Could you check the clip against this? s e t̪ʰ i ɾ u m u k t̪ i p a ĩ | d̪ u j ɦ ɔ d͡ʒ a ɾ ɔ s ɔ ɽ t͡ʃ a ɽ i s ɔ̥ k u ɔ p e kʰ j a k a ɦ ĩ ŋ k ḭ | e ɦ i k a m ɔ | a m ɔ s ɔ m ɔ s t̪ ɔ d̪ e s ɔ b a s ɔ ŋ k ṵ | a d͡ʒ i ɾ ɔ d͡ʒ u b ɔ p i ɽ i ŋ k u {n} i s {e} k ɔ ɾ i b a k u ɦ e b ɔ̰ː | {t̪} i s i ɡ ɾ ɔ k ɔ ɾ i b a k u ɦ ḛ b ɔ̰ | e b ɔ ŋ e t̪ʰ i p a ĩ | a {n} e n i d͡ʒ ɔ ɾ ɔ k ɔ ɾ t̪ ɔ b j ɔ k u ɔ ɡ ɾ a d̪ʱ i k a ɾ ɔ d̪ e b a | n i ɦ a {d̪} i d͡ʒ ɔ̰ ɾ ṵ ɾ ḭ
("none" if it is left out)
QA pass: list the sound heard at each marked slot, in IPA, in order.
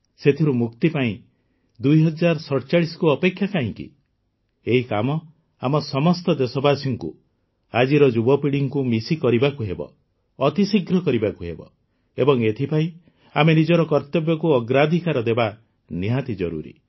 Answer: m, i, t̪, m, t̪

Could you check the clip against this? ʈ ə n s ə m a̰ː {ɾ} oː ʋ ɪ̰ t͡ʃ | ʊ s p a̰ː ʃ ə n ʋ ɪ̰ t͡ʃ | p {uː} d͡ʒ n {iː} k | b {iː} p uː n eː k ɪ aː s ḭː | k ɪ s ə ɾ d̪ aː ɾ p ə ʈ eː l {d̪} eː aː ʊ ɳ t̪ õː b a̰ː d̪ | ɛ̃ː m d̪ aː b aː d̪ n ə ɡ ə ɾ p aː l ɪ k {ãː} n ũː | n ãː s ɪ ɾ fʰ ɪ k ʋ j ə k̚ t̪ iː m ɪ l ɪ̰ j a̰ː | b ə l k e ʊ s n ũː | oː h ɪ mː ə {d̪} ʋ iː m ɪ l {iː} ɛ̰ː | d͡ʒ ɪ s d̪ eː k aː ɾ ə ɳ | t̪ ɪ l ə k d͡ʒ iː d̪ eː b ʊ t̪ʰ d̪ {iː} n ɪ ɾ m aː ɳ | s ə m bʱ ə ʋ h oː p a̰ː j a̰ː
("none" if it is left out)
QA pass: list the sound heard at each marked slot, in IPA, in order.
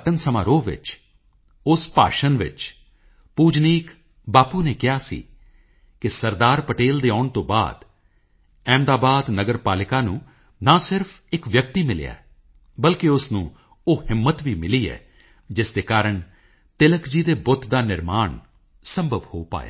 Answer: ɾ, uː, iː, aː, d̪, aː, t̪, iː, aː

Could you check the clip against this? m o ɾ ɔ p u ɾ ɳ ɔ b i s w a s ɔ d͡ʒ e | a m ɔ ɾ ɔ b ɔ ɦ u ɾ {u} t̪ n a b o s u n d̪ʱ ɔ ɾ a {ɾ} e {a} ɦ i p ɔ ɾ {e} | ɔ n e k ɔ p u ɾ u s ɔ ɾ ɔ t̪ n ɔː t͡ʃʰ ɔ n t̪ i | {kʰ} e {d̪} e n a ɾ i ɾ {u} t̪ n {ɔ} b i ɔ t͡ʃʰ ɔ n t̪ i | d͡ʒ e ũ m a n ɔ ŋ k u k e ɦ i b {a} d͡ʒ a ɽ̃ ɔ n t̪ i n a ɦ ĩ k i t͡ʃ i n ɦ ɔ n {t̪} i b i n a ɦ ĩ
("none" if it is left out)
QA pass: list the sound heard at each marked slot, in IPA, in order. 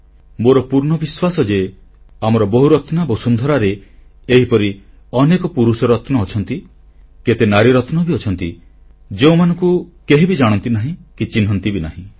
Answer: ɔ, ɾ, e, i, k, t̪, ɔ, ɔ, i, t̪

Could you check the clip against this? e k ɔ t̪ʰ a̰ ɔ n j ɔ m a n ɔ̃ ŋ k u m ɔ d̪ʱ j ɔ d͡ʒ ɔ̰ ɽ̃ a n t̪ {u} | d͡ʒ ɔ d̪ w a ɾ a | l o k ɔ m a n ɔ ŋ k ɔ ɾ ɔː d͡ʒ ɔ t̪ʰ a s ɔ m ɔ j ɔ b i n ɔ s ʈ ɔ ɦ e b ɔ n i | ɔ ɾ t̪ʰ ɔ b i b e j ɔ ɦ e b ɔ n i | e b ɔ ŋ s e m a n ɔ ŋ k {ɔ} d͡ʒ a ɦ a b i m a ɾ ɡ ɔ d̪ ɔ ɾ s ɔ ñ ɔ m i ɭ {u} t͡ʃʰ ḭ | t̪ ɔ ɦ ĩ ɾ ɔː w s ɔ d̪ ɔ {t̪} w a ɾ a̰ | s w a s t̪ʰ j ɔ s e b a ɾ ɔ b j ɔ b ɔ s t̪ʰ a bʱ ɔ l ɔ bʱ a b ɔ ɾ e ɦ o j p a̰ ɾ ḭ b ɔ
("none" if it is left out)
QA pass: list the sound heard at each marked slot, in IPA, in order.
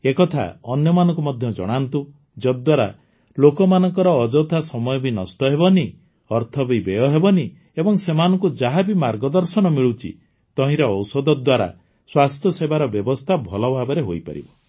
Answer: u, u, u, d̪

